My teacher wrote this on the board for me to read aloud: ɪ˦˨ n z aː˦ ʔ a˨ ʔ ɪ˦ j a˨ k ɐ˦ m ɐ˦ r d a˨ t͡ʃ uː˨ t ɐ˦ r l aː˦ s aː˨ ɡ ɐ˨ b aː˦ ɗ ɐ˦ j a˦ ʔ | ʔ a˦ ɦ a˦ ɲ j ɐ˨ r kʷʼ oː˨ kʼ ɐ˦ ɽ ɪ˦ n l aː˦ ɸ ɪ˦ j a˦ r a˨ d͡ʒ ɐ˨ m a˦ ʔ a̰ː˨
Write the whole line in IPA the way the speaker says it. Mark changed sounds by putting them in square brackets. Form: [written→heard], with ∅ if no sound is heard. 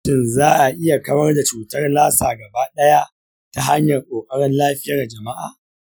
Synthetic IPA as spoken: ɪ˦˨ n z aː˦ ʔ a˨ ʔ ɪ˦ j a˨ k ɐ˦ m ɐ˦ r d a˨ t͡ʃ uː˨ t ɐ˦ r l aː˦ s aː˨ ɡ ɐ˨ b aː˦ ɗ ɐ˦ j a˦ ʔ | [ʔ→t] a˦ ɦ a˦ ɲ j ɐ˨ r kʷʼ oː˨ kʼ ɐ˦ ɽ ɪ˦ n l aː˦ ɸ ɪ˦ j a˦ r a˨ d͡ʒ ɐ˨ m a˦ ʔ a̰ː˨